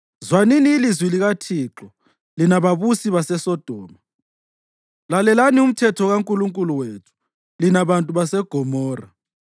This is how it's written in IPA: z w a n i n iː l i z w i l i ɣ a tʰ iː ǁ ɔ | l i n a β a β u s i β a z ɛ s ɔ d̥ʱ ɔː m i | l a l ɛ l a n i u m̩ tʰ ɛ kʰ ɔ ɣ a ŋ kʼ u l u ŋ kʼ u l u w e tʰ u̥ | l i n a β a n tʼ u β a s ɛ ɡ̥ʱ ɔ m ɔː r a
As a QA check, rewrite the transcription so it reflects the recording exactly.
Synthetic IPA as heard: z w a n i n iː l i z w i l i ɣ a tʰ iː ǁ ɔ | l i n a β a β u s i β a s ɛ s ɔ d̥ʱ ɔː m a | l a l ɛ l a n i u m̩ tʰ ɛ tʰ ɔ ɣ a ŋ kʼ u l u ŋ kʼ u l u w e tʰ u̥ | l i n a β a n tʼ u β a s ɛ ɡ̥ʱ ɔ m ɔː r a